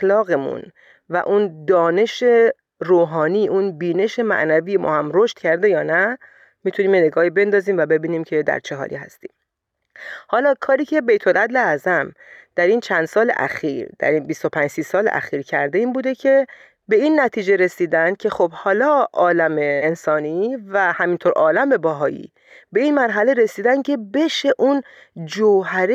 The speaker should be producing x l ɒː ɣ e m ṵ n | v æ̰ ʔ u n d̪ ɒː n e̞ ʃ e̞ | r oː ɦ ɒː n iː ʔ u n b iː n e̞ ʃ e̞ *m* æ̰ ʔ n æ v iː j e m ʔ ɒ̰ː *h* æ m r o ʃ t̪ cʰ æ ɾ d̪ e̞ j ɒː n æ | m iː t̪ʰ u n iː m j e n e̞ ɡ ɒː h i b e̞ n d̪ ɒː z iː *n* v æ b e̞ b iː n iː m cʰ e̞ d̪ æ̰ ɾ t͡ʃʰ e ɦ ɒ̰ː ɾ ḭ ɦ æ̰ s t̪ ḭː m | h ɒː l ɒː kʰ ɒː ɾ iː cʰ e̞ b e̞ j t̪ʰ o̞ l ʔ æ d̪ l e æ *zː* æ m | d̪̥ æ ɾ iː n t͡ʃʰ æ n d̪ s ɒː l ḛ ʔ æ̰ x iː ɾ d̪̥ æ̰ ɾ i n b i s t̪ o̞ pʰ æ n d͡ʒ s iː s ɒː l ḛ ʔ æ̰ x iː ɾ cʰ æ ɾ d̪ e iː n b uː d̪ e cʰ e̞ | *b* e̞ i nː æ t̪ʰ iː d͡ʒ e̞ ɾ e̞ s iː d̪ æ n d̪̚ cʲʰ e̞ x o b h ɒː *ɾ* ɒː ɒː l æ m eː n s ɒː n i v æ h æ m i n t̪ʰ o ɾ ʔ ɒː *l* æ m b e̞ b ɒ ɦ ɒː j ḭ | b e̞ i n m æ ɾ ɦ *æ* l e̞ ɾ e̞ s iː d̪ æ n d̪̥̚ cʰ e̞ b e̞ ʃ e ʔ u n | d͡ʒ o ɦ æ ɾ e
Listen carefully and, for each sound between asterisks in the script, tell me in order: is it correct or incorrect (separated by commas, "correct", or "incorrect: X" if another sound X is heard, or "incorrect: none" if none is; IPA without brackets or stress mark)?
correct, correct, incorrect: m, incorrect: z, correct, incorrect: l, correct, correct